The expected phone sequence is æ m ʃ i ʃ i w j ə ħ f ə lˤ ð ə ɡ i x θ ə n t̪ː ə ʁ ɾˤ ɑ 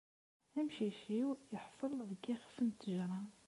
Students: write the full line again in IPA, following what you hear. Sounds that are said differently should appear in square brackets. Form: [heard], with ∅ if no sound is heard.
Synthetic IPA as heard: æ m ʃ i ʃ i w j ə ħ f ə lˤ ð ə ɡ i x [f] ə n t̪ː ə [ʒ] ɾˤ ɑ